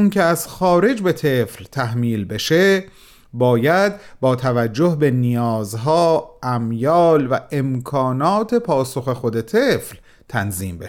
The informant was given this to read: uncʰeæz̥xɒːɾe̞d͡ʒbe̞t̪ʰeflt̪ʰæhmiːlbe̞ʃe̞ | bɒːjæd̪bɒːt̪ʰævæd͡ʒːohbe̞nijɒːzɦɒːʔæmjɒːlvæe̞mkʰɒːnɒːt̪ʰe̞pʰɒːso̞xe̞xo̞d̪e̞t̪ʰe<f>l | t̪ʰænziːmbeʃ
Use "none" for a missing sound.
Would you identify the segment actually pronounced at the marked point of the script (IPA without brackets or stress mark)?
f